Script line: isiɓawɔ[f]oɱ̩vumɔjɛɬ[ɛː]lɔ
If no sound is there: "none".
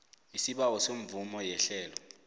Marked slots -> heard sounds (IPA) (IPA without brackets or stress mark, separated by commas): s, ɛː